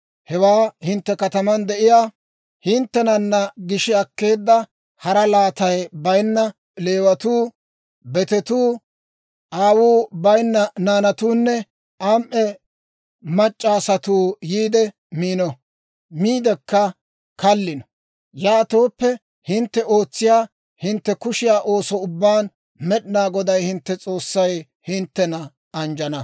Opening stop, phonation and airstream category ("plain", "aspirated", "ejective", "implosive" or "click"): plain